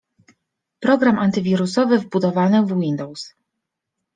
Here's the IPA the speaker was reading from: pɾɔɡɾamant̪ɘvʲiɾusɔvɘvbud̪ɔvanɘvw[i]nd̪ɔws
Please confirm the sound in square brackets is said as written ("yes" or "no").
yes